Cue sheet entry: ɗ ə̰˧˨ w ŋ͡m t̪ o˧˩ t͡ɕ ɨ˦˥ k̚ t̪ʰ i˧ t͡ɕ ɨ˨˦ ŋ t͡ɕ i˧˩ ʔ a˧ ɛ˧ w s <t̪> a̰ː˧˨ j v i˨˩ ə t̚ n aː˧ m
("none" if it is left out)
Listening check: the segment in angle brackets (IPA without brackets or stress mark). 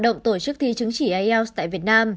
t̪